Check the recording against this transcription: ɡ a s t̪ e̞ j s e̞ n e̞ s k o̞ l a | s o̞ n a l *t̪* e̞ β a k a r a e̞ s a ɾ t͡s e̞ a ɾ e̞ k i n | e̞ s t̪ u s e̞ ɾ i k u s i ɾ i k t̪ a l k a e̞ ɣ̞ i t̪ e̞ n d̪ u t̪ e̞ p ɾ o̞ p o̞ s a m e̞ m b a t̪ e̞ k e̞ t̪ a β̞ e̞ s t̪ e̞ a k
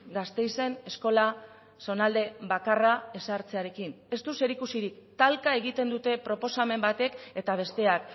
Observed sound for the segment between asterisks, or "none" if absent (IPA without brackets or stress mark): d̪